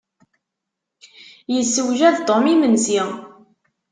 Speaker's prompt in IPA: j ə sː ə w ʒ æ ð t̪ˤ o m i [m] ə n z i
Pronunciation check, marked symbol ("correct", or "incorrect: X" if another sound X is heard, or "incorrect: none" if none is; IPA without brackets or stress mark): correct